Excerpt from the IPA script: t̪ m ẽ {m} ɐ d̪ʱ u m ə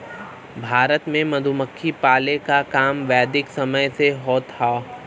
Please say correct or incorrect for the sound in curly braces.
correct